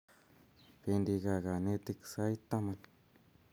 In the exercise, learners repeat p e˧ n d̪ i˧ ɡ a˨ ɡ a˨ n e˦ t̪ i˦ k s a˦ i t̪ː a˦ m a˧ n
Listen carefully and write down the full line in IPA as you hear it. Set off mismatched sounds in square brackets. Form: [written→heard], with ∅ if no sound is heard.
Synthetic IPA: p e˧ n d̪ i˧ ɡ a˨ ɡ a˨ n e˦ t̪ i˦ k s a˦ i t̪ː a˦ m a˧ n